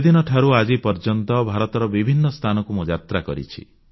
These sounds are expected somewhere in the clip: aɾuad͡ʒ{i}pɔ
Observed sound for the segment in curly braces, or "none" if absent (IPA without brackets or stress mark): i